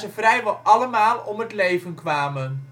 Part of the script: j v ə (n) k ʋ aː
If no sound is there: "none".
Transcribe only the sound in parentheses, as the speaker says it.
n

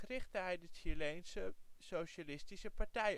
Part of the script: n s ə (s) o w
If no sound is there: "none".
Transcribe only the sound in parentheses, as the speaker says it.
s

